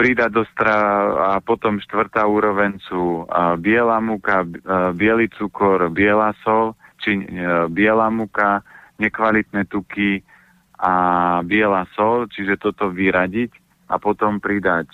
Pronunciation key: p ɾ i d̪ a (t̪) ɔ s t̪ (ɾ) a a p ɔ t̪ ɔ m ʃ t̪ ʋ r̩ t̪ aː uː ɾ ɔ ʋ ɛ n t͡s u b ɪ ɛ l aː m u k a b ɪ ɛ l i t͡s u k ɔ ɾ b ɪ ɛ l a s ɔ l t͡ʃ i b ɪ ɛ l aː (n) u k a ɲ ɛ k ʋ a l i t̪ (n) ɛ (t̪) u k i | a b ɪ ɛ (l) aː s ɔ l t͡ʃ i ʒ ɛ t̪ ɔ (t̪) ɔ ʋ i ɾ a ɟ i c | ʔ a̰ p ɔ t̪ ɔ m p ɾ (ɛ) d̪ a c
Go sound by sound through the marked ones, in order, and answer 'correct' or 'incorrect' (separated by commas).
incorrect, correct, incorrect, correct, correct, correct, correct, incorrect